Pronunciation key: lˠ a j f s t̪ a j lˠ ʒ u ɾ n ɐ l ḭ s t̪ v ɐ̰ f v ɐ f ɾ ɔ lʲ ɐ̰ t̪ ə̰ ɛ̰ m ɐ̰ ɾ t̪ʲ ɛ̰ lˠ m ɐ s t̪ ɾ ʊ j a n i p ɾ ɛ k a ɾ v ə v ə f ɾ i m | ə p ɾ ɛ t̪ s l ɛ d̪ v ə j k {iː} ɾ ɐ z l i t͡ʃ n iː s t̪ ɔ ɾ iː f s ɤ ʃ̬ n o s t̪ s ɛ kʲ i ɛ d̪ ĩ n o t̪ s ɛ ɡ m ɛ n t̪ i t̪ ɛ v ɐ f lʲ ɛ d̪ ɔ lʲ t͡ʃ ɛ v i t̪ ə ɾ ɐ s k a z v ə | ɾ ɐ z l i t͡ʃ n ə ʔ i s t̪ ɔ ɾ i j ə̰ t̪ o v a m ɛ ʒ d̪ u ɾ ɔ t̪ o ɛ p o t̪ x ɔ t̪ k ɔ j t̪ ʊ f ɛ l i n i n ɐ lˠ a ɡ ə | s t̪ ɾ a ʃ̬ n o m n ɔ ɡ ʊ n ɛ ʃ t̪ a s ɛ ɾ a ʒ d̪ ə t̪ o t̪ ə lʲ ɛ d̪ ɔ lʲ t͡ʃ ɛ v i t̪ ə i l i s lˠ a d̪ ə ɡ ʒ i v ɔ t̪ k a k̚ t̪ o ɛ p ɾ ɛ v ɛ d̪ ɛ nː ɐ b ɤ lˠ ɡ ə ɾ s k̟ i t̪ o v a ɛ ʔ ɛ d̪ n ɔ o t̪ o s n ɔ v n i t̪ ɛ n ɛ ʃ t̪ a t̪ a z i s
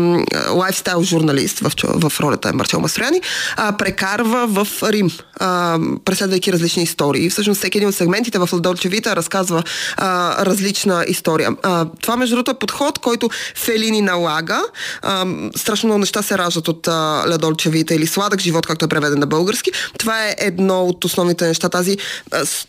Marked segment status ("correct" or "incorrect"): incorrect